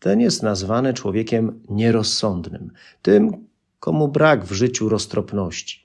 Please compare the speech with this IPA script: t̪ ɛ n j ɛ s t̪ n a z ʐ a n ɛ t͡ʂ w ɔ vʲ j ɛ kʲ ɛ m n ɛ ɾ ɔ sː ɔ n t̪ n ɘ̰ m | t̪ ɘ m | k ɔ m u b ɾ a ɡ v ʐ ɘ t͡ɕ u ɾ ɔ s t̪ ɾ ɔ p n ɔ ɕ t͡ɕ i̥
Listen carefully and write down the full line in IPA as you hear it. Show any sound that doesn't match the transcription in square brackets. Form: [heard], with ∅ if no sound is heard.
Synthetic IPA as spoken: t̪ ɛ n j ɛ s t̪ n a z [v] a n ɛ t͡ʂ w ɔ vʲ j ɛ kʲ ɛ m [ɲ] ɛ ɾ ɔ sː ɔ n [d̪] n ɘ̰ m | t̪ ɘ m | k ɔ m u b ɾ a ɡ v ʐ ɘ t͡ɕ u ɾ ɔ s t̪ ɾ ɔ p n ɔ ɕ t͡ɕ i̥